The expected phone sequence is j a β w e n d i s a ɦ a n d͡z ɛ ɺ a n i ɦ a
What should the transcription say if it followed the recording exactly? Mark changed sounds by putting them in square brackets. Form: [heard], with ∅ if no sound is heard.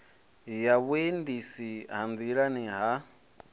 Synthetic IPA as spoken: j a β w e n d i s [i] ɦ a n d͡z [i] ɺ a n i ɦ a

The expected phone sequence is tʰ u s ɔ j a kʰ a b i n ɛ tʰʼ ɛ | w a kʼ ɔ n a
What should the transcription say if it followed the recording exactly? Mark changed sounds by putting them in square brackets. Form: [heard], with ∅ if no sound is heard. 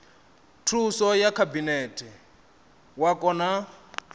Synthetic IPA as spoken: tʰ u s ɔ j a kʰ a b i n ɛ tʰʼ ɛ | w a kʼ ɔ n a

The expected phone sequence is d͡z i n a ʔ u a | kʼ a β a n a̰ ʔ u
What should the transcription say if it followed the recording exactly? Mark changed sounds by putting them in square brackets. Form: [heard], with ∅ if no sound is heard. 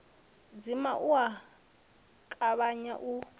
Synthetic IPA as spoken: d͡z i [m] a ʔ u a | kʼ a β a [ɲ] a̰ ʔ u

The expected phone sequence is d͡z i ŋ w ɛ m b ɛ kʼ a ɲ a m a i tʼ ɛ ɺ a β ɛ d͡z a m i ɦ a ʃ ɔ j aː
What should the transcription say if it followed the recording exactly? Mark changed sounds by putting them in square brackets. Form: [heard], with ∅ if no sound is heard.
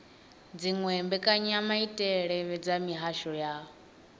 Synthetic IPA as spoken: d͡z i ŋ w ɛ m b ɛ kʼ a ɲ a m a i tʼ ɛ ɺ [ɛ] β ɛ d͡z a m i ɦ a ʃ ɔ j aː

